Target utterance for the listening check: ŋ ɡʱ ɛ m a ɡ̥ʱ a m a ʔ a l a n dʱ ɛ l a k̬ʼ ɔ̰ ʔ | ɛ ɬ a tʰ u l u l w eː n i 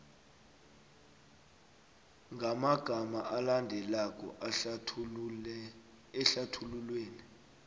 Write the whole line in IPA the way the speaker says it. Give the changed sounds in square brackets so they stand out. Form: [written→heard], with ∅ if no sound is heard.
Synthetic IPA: ŋ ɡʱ [ɛ→a] m a ɡ̥ʱ a m a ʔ a l a n dʱ ɛ l a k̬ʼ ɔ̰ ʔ | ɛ ɬ a tʰ u l u l w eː n i